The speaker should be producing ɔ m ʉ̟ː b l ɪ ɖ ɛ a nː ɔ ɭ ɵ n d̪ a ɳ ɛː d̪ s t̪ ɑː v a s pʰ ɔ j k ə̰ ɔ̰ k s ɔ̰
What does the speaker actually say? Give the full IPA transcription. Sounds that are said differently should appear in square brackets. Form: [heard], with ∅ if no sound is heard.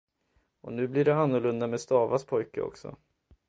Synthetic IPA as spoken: ɔ [n] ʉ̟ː b l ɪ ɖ ɛ a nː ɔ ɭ ɵ n d̪ a [m] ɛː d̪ s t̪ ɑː v a s pʰ ɔ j k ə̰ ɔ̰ k s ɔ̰